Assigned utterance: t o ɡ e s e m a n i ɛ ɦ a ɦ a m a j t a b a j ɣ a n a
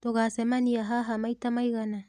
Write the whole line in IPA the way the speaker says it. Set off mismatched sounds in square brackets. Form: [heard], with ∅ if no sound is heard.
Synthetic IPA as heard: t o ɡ [a] s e m a n i [a] ɦ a ɦ a m a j t a [m] a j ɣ a n a